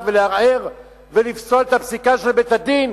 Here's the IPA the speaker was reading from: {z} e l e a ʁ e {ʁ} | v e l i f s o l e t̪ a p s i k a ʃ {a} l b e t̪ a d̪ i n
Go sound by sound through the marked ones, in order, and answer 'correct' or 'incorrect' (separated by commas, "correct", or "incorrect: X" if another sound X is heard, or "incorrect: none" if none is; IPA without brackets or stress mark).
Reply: incorrect: v, correct, incorrect: e